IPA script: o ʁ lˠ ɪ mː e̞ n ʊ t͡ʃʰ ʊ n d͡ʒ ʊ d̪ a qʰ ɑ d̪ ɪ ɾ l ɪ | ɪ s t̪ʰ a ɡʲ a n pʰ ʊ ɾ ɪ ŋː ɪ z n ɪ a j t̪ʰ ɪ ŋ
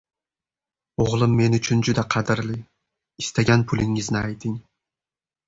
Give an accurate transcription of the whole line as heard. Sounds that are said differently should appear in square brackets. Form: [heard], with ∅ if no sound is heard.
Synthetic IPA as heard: o ʁ lˠ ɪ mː e̞ n ʊ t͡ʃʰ ʊ n d͡ʒ ʊ d̪ a qʰ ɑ d̪ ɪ ɾ l ɪ | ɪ s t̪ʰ a ɡʲ a n pʰ ʊ [l] ɪ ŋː ɪ z n ɪ a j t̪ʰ ɪ ŋ

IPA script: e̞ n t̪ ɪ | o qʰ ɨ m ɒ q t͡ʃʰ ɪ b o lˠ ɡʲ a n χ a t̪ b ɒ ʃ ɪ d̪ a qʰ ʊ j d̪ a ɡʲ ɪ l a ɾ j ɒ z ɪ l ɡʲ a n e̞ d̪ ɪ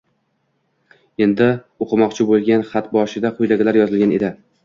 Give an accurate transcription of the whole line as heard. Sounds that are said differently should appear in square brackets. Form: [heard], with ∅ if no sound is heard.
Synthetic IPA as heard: e̞ n [d̪] ɪ | o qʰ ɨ m ɒ q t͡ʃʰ ɪ b o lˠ ɡʲ a n χ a t̪ b ɒ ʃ ɪ d̪ a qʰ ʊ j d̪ a ɡʲ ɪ l a ɾ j ɒ z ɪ l ɡʲ a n e̞ d̪ ɪ

